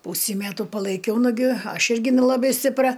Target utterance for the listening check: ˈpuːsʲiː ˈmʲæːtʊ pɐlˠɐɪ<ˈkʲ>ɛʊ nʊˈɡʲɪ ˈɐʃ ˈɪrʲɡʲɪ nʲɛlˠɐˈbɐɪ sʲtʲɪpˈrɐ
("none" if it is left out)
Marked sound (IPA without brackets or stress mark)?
kʲ